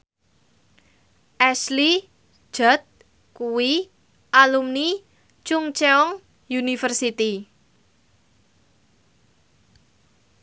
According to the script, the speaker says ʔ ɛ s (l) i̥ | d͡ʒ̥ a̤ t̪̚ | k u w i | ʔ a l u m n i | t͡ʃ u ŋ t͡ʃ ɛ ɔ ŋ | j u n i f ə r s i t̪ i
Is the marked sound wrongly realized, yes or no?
no